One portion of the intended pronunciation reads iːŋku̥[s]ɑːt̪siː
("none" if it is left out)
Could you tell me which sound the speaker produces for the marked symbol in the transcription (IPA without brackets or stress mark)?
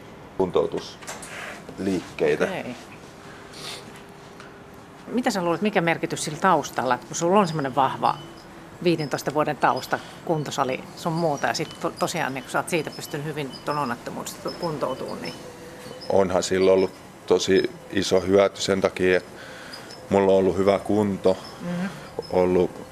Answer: s